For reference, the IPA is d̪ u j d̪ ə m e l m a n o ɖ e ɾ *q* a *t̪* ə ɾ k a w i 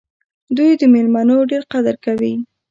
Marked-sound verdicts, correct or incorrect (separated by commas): correct, incorrect